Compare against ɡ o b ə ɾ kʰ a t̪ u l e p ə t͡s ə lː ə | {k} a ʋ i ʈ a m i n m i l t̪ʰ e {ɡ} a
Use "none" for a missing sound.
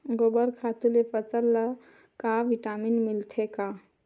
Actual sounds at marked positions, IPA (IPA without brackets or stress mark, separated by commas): k, k